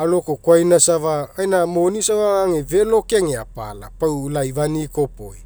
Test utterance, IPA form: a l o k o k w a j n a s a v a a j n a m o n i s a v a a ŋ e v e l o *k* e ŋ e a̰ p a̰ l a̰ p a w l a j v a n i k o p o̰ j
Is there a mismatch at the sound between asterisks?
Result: no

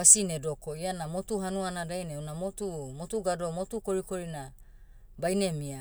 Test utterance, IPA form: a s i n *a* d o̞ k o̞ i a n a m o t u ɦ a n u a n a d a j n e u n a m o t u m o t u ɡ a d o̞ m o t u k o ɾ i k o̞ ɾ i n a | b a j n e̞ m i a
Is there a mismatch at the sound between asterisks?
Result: yes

